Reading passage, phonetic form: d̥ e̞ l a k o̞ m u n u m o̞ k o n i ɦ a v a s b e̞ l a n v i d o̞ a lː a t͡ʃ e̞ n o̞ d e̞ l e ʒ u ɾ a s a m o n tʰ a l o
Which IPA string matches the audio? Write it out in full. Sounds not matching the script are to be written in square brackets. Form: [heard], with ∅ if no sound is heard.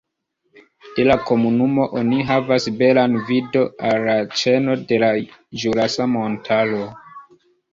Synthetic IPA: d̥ e̞ l a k o̞ m u n u m o̞ [ʔ] o n i ɦ a v a s b e̞ l a n v i d o̞ a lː a t͡ʃ e̞ n o̞ d e̞ l [a] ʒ u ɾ a s a m o n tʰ a l o